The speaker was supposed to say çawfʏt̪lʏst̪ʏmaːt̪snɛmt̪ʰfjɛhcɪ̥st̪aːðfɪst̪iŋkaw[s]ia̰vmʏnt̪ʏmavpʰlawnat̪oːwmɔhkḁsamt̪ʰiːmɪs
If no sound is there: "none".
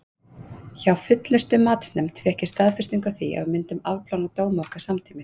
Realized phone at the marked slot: θ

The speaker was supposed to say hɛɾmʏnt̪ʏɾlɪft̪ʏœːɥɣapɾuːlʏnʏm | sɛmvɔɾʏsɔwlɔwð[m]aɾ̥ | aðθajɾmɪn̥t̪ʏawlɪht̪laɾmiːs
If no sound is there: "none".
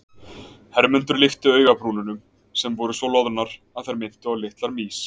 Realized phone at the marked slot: n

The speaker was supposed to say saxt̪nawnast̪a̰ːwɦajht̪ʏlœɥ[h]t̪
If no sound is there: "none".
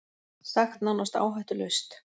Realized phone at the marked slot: s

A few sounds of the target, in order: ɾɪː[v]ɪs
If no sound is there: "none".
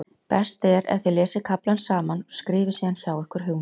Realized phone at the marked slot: v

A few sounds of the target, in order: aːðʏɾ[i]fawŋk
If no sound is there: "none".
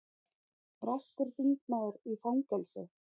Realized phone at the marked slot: i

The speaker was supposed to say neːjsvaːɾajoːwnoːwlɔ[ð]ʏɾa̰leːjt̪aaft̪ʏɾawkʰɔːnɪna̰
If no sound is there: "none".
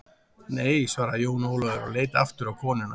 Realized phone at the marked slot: ð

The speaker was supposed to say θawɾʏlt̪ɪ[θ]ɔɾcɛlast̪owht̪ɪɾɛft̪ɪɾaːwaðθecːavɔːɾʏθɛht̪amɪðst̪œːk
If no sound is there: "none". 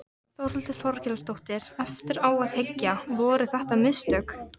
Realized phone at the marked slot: θ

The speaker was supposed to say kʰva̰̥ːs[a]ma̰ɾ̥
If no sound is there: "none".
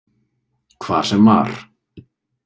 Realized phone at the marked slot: ɛ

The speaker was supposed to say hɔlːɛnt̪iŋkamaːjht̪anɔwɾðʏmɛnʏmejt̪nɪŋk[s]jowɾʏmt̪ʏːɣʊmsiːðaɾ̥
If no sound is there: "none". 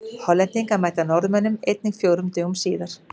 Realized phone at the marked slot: f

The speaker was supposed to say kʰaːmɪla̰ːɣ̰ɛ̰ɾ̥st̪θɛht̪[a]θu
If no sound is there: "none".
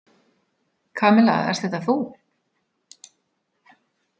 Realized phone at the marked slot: a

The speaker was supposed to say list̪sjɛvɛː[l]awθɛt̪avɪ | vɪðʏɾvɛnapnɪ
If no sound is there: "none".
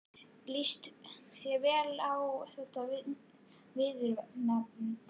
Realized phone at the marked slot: l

